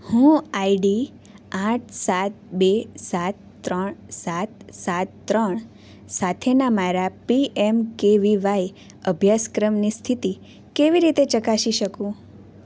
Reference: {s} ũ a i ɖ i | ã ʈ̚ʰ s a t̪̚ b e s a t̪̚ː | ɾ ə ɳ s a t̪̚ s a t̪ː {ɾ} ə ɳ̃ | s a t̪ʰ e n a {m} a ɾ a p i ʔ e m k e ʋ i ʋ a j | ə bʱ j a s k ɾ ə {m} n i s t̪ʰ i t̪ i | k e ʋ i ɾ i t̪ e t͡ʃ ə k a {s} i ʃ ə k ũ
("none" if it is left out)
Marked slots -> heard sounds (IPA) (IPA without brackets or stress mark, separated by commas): h, ɾ, m, m, ʃ